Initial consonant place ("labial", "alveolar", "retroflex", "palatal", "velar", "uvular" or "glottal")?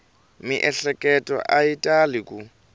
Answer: labial